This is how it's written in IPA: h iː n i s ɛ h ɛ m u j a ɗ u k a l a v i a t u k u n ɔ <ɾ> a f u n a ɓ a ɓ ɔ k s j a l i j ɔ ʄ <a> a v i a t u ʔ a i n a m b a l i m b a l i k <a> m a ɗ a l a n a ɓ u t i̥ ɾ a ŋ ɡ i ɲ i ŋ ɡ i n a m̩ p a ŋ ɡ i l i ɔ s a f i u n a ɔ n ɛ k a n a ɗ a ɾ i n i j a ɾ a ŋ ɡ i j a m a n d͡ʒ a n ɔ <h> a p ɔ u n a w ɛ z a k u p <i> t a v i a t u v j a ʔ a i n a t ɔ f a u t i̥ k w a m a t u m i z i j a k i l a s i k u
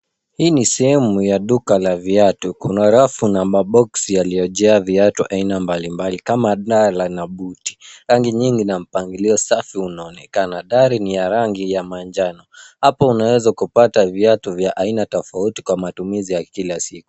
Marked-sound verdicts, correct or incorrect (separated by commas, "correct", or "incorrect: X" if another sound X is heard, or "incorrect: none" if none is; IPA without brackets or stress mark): correct, incorrect: ɛ, correct, correct, incorrect: a